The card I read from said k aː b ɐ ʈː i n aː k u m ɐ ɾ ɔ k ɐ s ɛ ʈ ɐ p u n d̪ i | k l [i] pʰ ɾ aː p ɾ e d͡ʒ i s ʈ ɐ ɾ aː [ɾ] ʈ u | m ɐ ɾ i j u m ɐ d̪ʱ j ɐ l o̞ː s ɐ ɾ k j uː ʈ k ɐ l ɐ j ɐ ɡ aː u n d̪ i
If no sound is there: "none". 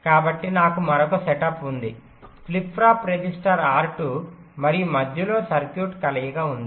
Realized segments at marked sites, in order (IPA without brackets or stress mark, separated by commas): i, ɾ